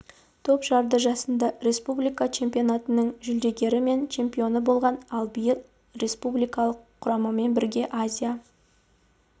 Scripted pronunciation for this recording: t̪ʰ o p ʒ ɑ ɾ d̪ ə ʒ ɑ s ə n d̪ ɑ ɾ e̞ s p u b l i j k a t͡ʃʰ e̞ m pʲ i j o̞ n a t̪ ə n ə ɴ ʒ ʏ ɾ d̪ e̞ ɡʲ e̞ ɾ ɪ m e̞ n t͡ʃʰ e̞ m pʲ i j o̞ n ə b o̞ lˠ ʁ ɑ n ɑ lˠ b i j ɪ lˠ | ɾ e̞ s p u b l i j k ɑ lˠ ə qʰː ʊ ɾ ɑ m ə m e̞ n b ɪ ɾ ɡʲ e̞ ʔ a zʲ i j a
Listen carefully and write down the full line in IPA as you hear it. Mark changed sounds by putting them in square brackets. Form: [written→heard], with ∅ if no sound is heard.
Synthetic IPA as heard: t̪ʰ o p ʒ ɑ ɾ d̪ ə ʒ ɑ s ə n d̪ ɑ ɾ e̞ s p u b l i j k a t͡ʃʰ e̞ m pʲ i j o̞ n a t̪ ə n ə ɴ ʒ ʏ [ɾ→l] d̪ e̞ ɡʲ e̞ ɾ ɪ m e̞ n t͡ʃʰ e̞ m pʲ i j o̞ n ə b o̞ lˠ ʁ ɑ n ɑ lˠ b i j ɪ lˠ | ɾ e̞ s p u b l i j k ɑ lˠ ə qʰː ʊ ɾ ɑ m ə m e̞ n b ɪ ɾ ɡʲ e̞ ʔ a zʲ i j a

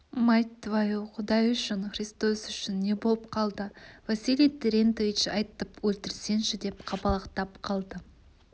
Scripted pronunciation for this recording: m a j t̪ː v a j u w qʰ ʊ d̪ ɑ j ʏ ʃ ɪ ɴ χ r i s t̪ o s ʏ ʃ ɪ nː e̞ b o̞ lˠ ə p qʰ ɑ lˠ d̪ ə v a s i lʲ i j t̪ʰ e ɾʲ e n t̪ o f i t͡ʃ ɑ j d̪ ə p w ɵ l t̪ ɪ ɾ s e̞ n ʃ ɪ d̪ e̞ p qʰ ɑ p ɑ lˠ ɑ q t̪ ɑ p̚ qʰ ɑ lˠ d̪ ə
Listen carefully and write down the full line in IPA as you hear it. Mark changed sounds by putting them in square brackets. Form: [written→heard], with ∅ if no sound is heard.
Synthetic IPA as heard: m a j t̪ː v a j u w qʰ ʊ d̪ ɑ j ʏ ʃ ɪ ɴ χ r i s t̪ o s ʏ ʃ ɪ nː e̞ b o̞ lˠ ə p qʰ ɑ lˠ d̪ ə v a s i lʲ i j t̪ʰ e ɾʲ e n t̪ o [f→v] i t͡ʃ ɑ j [d̪→t̪] ə p w ɵ l t̪ ɪ ɾ s e̞ n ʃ ɪ d̪ e̞ p qʰ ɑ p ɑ lˠ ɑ q t̪ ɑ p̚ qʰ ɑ lˠ d̪ ə

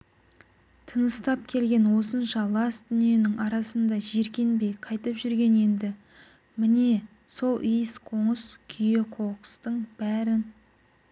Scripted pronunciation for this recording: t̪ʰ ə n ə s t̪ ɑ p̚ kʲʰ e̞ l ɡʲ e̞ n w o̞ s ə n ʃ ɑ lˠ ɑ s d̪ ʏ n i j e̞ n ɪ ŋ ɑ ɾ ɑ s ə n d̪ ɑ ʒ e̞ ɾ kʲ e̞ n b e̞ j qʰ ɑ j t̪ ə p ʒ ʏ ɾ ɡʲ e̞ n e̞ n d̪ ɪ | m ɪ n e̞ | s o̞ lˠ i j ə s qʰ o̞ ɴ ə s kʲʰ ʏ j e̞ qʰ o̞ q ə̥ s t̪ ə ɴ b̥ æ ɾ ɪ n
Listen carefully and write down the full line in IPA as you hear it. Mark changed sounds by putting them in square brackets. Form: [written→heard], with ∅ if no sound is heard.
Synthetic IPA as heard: t̪ʰ ə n ə s t̪ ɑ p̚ kʲʰ e̞ l ɡʲ e̞ n w o̞ s ə n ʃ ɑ lˠ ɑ s d̪ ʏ n i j e̞ n ɪ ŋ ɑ ɾ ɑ s ə n d̪ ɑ ʒ e̞ ɾ kʲ e̞ n b e̞ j qʰ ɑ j t̪ ə p ʒ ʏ ɾ ɡʲ e̞ n e̞ n d̪ ɪ | m ɪ n e̞ | s o̞ lˠ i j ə s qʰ o̞ ɴ ə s kʲʰ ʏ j e̞ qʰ o̞ q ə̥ s t̪ ə ɴ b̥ æ ɾ ɪ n

